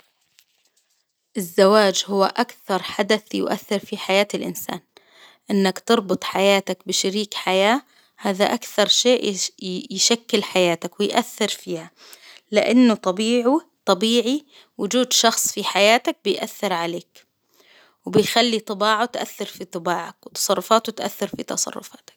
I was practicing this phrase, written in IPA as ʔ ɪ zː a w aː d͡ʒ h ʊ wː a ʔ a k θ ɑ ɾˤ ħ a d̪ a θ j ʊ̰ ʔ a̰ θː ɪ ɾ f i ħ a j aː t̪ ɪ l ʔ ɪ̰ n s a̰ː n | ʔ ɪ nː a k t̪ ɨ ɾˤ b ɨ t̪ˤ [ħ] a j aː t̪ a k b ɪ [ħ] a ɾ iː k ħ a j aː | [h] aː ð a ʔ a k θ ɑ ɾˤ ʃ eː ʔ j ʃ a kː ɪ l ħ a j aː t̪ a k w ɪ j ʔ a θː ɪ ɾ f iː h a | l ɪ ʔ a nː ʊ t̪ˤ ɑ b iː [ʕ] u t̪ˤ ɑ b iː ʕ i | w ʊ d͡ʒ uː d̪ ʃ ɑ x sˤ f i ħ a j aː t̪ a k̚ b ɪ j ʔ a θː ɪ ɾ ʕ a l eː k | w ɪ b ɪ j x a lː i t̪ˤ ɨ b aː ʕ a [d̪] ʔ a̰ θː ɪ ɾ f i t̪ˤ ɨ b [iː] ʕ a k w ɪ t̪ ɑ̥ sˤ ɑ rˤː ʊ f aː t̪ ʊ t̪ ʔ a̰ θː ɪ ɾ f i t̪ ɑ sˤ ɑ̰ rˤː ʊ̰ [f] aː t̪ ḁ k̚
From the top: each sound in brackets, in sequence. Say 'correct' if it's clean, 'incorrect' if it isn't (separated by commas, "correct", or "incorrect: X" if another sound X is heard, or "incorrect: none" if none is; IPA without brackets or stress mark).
correct, incorrect: ʃ, correct, correct, incorrect: t̪, incorrect: aː, correct